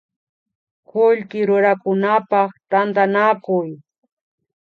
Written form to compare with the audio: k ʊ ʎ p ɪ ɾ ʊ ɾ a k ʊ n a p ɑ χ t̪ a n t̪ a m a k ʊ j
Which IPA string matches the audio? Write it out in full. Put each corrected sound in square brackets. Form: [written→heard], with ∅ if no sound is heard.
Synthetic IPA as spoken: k ʊ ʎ [p→k] ɪ ɾ ʊ ɾ a k ʊ n a p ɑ χ t̪ a n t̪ a [m→n] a k ʊ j